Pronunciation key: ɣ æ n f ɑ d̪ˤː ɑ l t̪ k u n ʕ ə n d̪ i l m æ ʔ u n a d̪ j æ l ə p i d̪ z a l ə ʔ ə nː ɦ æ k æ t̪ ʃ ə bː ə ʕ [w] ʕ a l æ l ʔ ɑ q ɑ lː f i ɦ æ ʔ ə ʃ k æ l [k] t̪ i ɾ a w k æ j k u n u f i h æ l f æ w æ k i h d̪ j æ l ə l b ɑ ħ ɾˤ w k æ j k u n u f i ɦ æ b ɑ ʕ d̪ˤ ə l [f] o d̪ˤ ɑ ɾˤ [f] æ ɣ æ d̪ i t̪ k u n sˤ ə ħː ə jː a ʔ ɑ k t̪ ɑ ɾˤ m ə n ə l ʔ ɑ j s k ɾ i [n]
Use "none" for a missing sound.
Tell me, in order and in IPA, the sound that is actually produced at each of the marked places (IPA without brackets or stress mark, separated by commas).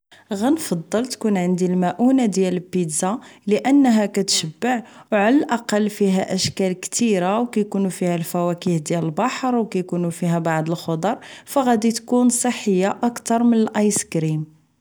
w, k, x, f, m